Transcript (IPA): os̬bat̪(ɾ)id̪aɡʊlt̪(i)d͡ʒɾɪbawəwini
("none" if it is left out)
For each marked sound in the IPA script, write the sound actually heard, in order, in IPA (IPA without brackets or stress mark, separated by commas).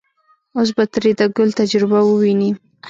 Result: ɾ, a